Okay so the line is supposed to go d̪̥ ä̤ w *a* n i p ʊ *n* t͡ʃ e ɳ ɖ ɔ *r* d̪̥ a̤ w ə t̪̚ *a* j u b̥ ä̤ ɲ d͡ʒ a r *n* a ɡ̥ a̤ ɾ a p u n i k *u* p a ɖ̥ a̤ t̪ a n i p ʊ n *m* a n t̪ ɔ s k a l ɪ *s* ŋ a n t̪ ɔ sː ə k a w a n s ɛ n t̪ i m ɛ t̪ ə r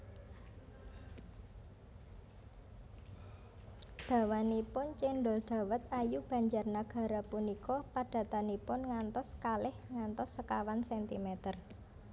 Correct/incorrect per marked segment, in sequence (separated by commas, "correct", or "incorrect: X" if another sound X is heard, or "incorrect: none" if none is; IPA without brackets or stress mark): correct, correct, incorrect: l, correct, correct, incorrect: ɔ, incorrect: ŋ, incorrect: h